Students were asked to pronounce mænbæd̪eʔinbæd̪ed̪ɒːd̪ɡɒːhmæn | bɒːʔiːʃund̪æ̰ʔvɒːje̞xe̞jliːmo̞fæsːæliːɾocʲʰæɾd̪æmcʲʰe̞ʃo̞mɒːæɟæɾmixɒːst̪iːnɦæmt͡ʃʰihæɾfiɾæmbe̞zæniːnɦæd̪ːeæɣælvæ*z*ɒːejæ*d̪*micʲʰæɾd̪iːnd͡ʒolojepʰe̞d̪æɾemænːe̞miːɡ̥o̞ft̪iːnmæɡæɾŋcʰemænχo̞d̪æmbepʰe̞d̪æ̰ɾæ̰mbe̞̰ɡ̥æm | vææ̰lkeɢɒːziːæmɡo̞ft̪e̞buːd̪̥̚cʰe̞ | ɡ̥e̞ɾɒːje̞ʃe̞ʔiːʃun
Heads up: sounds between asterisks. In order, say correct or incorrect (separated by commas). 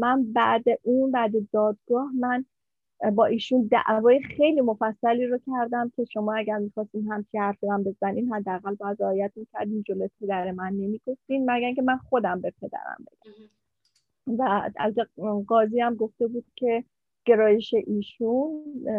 correct, incorrect